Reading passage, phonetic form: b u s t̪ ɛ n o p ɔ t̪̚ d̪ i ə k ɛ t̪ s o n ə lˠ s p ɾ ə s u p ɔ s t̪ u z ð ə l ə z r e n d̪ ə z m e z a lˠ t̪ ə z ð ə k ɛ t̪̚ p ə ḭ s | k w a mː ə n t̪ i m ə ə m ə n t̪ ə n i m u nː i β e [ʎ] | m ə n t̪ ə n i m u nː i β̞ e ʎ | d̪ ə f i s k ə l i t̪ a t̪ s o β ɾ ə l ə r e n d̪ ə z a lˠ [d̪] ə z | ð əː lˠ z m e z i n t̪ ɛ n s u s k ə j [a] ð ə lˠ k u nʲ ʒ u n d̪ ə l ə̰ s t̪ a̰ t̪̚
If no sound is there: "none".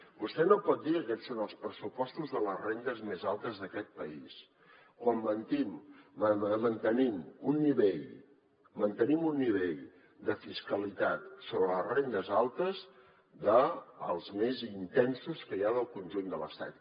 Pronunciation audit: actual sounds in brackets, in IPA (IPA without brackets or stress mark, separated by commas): ʎ, t̪, a